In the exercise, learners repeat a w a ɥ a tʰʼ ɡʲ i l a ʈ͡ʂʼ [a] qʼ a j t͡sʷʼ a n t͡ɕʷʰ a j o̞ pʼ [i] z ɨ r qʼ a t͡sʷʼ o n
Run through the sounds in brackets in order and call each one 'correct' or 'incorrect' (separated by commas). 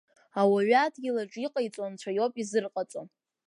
incorrect, correct